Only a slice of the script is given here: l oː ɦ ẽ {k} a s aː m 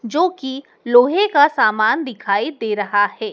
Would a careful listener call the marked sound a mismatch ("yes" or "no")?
no